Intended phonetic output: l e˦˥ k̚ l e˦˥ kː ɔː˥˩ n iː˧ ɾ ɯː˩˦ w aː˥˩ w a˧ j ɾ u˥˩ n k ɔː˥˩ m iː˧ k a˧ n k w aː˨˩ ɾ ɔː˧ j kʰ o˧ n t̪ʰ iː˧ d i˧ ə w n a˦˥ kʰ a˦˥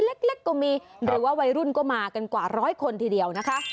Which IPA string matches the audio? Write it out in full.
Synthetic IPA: l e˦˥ k̚ l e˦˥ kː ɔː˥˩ m iː˧ ɾ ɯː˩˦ w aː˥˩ w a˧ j ɾ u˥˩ n k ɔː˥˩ m aː˧ k a˧ n k w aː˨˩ ɾ ɔː˦˥ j kʰ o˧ n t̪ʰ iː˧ d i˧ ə w n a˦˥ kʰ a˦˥